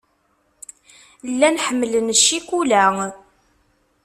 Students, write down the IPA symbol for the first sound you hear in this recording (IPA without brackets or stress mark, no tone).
lː